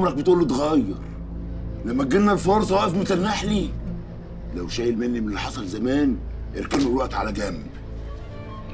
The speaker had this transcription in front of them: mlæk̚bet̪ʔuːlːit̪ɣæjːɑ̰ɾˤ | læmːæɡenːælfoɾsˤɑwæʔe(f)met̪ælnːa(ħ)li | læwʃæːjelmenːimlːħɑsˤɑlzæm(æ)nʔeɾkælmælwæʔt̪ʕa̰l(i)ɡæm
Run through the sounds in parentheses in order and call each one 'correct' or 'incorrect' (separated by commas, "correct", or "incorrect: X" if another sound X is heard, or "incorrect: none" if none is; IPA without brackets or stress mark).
correct, correct, incorrect: æː, incorrect: æ